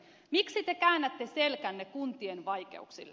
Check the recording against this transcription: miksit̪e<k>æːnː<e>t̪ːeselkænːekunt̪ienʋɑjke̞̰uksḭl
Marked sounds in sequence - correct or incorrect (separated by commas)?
correct, incorrect